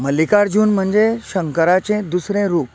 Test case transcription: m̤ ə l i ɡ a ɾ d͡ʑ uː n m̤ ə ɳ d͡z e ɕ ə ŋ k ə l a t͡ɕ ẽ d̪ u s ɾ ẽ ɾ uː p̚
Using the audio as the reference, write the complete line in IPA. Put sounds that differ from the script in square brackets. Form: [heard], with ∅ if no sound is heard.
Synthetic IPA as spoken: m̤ ə l i [k] a ɾ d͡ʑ uː n m̤ ə ɳ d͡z e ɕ ə ŋ k ə [ɾ] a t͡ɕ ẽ d̪ u s ɾ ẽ ɾ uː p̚